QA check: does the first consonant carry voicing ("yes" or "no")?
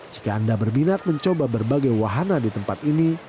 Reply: yes